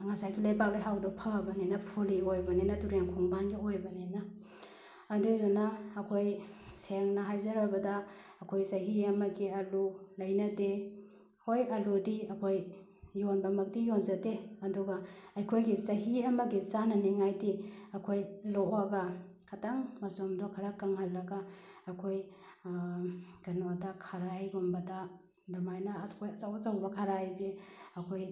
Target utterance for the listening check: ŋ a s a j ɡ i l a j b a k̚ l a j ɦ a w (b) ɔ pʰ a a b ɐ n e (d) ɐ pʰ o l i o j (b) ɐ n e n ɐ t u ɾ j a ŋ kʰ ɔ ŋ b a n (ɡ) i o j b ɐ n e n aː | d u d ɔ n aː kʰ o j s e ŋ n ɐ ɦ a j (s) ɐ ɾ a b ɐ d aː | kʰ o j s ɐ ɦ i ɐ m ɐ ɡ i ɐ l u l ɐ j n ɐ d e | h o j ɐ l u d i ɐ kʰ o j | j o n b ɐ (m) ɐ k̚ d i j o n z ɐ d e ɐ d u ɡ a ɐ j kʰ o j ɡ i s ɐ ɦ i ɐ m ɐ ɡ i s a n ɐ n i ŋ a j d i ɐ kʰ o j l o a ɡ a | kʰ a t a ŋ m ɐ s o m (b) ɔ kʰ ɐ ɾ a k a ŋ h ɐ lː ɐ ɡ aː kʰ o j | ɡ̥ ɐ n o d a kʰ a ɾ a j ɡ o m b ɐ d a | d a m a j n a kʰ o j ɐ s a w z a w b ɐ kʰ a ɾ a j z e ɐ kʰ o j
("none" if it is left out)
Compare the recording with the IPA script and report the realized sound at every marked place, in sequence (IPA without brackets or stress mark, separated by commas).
d, n, b, ɡ, z, m, d